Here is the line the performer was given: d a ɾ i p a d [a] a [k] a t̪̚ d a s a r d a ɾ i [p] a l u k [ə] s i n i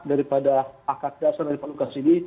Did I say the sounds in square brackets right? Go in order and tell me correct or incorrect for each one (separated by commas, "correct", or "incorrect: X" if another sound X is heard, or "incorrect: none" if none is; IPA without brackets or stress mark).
correct, correct, correct, incorrect: a